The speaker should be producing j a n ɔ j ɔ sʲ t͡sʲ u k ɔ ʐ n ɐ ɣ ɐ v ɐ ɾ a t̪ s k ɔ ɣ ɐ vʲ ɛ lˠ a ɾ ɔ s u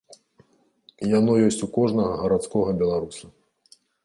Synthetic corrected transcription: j a n ɔ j ɔ sʲ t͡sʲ u k ɔ ʐ n ɐ ɣ ɐ ɣ ɐ ɾ a t̪ s k ɔ ɣ ɐ bʲ ɛ lˠ a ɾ u s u